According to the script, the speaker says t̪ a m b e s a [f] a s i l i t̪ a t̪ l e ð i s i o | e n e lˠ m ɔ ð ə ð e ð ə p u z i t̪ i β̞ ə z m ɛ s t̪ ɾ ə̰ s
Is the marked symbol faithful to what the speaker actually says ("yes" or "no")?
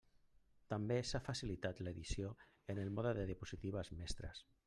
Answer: yes